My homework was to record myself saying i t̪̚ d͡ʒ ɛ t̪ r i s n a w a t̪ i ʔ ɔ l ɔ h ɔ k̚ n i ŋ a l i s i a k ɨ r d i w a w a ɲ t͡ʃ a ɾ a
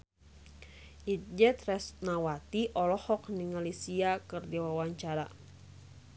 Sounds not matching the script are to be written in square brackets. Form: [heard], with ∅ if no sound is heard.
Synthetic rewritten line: i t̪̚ d͡ʒ ɛ t̪ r [ɛ] s n a w a t̪ i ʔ ɔ l ɔ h ɔ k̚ n i ŋ a l i s i a k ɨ r d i w a w a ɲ t͡ʃ a ɾ a